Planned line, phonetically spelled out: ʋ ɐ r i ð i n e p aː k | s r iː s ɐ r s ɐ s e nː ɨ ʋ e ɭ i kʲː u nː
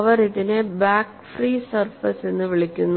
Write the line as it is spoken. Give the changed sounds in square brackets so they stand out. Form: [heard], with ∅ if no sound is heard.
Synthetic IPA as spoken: ʋ ɐ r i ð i n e [b] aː k | [f] r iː s ɐ r [f] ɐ s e nː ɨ ʋ [i] ɭ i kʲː u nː